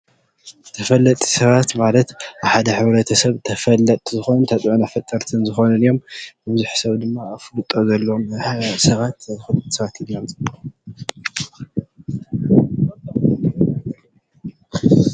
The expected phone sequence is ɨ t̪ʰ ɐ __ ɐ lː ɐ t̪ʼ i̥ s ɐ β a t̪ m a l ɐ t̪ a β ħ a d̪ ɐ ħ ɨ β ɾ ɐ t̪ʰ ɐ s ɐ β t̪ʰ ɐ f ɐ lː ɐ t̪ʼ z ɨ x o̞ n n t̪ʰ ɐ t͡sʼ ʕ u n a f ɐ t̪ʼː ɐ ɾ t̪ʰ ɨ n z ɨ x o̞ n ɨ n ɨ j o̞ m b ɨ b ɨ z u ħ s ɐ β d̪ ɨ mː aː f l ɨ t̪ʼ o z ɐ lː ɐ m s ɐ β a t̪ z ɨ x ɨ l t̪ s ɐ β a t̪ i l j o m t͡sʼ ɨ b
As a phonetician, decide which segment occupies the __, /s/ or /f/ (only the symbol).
f